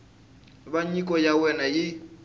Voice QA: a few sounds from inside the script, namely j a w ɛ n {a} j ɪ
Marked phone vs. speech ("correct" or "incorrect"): correct